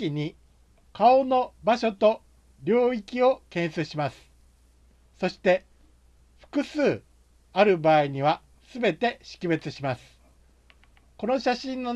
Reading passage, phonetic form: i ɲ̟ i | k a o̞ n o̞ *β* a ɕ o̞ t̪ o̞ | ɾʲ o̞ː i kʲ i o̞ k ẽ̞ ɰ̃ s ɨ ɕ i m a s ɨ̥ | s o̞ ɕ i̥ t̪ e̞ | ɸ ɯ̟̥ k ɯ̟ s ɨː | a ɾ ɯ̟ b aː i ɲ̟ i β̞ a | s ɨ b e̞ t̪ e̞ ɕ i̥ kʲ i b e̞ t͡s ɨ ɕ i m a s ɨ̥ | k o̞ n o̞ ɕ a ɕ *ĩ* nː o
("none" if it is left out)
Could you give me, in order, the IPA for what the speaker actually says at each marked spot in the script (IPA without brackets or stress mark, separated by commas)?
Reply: b, ĩ